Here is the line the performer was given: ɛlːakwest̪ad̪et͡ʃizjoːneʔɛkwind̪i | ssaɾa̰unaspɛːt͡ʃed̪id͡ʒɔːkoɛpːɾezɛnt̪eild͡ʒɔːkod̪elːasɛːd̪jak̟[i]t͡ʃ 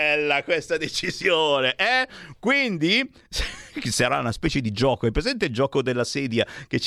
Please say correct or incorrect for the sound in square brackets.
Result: incorrect